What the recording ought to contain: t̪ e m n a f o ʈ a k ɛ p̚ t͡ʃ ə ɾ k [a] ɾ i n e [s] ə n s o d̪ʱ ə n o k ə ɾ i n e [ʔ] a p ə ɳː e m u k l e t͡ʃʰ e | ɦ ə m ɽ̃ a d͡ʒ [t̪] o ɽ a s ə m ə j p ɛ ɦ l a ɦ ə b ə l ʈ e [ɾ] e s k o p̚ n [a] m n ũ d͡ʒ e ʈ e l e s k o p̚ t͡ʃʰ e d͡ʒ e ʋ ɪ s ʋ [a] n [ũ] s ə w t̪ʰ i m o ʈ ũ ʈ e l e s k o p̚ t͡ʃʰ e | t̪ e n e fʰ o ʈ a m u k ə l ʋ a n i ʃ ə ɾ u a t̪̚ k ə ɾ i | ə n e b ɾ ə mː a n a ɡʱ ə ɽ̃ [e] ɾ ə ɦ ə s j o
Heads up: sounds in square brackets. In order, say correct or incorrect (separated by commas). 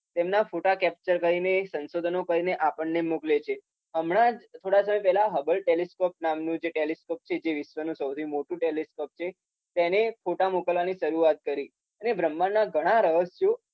incorrect, correct, correct, incorrect, incorrect, correct, incorrect, correct, incorrect